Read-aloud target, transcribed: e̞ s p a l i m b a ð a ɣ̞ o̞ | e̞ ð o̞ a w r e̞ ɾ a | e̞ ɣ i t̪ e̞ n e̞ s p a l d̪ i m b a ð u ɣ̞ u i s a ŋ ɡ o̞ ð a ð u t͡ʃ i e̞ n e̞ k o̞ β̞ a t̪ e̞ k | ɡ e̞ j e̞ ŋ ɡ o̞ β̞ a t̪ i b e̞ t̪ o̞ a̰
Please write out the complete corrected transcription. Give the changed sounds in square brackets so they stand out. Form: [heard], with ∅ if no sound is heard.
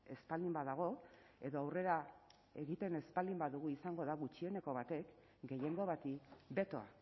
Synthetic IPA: e̞ s p a l i m b a ð a ɣ̞ o̞ | e̞ ð o̞ a w r e̞ ɾ a | e̞ ɣ i t̪ e̞ n e̞ s p a l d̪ i m b a ð u ɣ̞ u i s a ŋ ɡ o̞ ð a [ɣ] u t͡ʃ i e̞ n e̞ k o̞ β̞ a t̪ e̞ k | ɡ e̞ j e̞ ŋ ɡ o̞ β̞ a t̪ i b e̞ t̪ o̞ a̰